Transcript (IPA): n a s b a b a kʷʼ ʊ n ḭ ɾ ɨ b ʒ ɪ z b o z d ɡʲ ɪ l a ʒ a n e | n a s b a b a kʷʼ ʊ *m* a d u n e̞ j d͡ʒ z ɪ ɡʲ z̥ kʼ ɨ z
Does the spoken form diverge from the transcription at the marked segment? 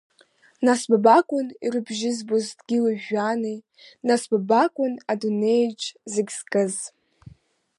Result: yes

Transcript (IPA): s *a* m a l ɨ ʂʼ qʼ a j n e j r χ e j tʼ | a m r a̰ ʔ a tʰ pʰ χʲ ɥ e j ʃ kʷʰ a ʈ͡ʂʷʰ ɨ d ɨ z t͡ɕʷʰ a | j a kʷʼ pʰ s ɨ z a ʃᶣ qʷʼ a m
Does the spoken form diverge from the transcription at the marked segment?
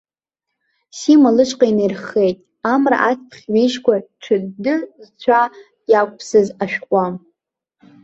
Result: yes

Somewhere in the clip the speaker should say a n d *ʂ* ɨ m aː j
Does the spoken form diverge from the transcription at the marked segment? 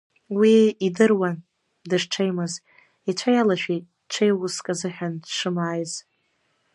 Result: no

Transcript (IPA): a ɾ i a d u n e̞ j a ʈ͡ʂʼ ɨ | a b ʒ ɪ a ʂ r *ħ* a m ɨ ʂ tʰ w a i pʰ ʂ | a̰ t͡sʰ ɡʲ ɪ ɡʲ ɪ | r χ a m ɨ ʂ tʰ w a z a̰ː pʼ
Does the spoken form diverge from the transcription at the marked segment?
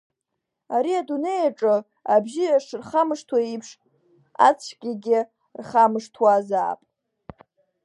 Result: yes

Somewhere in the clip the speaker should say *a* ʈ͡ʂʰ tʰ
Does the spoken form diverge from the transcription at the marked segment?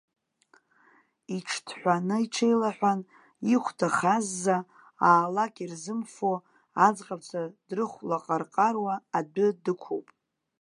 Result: yes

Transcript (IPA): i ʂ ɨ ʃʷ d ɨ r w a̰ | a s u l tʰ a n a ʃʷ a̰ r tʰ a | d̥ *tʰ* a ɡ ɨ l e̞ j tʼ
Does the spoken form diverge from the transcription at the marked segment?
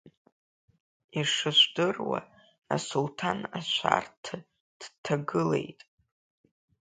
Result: no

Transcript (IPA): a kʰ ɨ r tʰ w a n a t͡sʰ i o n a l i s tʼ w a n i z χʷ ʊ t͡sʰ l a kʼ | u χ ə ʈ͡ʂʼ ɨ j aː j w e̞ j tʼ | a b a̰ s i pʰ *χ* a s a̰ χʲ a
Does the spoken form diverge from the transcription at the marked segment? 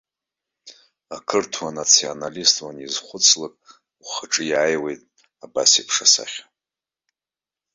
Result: yes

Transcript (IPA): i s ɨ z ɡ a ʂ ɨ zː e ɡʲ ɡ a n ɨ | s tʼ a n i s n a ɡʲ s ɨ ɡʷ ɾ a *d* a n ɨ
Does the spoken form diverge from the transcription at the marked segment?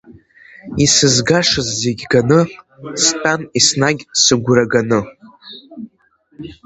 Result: yes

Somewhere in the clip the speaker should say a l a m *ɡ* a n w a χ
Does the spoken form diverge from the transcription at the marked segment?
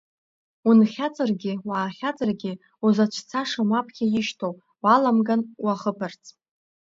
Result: no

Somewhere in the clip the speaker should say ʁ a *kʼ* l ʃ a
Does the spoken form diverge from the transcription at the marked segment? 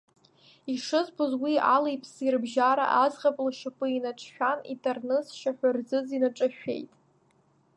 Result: yes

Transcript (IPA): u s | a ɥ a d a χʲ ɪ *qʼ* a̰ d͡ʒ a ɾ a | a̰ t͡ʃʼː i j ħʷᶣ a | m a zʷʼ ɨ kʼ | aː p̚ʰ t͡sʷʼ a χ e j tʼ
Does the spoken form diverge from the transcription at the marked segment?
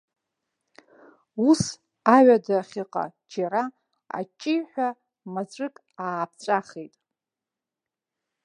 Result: no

